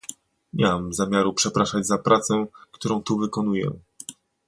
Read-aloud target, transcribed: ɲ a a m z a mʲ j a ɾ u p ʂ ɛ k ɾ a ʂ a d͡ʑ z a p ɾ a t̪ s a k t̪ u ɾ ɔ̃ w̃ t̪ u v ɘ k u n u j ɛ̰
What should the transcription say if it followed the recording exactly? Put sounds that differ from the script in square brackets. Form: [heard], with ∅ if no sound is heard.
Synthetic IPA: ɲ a a m z a mʲ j a ɾ u p ʂ ɛ [p] ɾ a ʂ a d͡ʑ z a p ɾ a t̪ s [ɛ] k t̪ u ɾ ɔ̃ w̃ t̪ u v ɘ k [ɔ] n u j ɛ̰